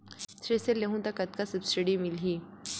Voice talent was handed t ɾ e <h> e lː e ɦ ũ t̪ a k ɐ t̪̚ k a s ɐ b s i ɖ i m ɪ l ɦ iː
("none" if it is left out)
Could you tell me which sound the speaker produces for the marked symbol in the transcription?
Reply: s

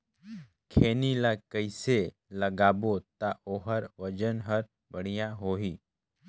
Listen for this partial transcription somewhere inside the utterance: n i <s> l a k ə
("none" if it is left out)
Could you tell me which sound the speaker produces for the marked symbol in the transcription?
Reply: none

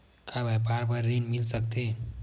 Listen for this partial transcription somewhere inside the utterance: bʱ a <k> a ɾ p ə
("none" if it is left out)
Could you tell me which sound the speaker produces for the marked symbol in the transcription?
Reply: p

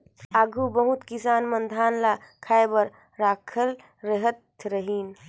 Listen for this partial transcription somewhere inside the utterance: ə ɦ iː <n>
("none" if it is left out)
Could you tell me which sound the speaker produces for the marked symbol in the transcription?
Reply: n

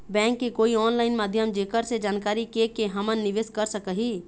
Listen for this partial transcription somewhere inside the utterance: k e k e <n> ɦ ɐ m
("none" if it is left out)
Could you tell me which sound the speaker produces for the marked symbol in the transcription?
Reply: none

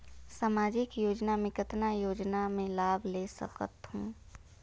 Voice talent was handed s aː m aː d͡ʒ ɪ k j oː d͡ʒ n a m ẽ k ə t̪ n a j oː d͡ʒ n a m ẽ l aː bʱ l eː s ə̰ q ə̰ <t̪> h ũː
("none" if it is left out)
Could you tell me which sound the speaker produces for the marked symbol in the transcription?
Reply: t̪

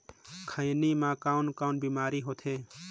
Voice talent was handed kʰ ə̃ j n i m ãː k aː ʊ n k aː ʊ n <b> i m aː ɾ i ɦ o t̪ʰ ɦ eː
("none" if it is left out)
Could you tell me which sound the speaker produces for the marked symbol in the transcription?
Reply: b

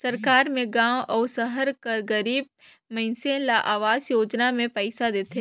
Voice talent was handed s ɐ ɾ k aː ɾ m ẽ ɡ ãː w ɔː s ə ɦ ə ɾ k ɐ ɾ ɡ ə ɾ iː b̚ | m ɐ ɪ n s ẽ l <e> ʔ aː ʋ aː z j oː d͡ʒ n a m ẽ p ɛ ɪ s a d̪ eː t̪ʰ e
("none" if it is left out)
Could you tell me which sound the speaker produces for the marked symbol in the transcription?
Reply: a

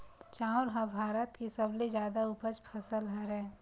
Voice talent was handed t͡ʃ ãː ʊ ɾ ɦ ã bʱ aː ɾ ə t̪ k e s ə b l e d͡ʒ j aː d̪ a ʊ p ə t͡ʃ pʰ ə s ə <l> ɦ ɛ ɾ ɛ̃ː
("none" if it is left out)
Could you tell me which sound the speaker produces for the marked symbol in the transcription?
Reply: l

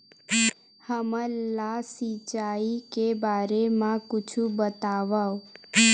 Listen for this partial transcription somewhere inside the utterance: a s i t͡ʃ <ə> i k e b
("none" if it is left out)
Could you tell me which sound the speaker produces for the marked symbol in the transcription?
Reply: a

